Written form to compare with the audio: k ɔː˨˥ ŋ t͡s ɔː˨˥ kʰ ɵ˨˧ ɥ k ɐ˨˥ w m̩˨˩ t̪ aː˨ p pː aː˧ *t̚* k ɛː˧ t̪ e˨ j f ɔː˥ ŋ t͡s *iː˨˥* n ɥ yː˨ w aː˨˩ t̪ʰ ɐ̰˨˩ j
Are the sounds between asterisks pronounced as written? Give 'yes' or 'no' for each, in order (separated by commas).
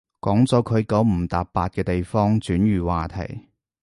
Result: yes, no